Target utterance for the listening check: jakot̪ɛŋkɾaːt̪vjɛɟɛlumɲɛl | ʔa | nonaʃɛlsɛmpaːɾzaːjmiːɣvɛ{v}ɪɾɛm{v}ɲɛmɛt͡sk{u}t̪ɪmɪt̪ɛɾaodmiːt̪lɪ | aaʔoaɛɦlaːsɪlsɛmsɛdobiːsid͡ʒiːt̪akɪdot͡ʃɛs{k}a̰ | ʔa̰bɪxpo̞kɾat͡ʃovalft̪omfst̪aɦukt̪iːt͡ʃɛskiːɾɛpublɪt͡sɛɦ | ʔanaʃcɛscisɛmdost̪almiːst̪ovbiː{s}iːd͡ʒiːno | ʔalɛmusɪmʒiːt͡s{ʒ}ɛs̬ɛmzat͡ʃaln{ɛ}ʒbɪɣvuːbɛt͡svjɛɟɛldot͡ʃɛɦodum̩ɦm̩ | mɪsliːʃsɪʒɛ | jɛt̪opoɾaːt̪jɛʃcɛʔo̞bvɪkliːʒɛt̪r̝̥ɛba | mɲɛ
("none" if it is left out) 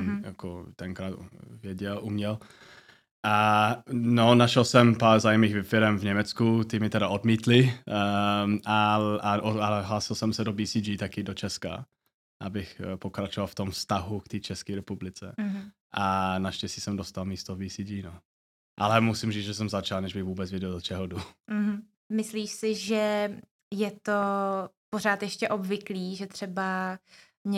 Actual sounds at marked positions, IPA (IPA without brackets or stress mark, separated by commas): f, v, u, k, s, ʒ, ɛ